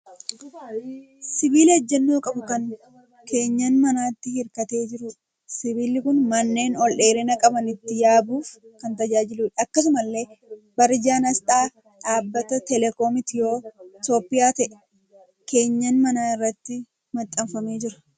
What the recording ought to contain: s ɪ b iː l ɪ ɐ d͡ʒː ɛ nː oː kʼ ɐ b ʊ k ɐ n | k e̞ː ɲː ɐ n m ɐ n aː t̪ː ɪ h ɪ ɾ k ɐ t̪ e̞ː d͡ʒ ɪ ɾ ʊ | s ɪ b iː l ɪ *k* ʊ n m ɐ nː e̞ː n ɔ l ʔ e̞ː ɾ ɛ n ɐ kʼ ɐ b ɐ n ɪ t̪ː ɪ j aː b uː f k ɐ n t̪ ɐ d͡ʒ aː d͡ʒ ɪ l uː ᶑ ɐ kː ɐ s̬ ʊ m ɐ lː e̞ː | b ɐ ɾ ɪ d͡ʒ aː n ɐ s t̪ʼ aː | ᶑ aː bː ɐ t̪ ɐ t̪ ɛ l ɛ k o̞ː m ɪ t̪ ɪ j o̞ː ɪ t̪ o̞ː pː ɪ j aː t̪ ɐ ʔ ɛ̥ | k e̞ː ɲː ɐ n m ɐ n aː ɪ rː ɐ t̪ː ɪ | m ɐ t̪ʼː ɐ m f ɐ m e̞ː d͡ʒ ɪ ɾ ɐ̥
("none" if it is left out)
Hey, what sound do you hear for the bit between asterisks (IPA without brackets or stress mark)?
k